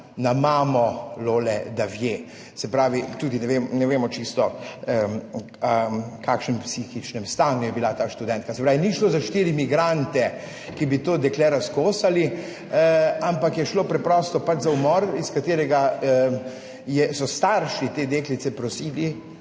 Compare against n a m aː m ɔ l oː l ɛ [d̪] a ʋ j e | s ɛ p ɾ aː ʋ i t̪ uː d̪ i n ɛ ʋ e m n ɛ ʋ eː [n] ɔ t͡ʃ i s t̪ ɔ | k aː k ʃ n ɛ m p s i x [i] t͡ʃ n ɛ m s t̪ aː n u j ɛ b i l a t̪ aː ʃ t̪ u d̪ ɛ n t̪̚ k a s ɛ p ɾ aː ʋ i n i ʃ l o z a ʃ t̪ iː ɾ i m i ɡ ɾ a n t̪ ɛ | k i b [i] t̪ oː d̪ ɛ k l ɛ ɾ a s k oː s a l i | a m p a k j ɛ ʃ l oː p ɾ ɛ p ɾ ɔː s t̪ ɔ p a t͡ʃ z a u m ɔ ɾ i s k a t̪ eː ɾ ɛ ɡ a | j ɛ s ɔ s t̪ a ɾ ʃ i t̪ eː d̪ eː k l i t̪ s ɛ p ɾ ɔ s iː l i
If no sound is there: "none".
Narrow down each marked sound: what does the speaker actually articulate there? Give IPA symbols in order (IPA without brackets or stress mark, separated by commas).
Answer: d̪, m, i, i